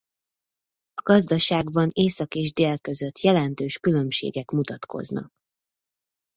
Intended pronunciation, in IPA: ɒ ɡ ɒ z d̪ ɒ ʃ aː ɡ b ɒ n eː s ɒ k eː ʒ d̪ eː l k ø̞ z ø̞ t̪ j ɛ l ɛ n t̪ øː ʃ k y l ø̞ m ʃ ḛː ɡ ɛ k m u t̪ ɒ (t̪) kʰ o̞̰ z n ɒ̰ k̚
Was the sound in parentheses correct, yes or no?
yes